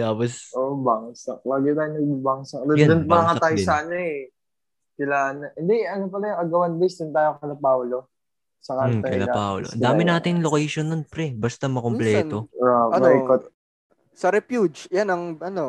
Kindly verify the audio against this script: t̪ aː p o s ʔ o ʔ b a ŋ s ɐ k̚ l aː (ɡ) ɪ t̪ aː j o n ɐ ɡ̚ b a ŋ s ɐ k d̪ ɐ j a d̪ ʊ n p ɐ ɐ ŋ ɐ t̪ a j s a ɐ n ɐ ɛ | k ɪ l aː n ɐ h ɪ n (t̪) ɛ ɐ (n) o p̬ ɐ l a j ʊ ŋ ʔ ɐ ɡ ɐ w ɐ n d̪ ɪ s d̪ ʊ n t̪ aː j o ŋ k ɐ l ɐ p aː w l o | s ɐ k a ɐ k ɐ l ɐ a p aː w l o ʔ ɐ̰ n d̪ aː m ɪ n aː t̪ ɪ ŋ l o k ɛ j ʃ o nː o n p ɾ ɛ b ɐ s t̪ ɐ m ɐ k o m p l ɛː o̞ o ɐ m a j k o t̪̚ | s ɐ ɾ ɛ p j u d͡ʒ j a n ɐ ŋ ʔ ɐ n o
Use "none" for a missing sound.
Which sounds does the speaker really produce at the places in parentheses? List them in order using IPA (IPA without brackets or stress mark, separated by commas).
ɡ, d̪, n